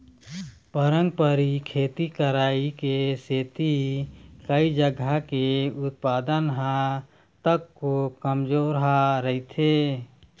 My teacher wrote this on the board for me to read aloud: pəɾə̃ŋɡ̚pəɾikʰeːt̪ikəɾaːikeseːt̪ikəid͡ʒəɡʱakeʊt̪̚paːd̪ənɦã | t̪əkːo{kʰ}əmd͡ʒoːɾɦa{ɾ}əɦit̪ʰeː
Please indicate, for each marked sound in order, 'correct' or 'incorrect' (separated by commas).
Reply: incorrect, correct